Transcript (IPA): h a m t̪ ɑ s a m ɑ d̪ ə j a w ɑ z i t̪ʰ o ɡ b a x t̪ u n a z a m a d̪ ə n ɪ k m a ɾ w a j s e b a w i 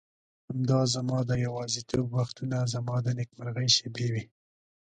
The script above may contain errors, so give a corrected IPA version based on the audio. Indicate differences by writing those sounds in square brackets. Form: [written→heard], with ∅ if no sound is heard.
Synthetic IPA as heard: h a m [t̪→d̪] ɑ [s→z] a m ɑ d̪ ə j a w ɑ z i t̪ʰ o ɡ [b→w] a x t̪ u n a z a m [a→ɑ] d̪ ə n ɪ k m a ɾ [w→ɣ] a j [s→ʃ] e b [a→e] w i